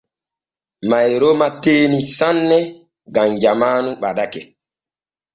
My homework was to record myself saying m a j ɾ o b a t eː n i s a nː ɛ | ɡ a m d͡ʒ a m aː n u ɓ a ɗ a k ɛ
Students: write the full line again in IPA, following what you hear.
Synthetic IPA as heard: m a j ɾ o m a t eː n i s a nː ɛ | ɡ a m d͡ʒ a m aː n u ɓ a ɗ a k ɛ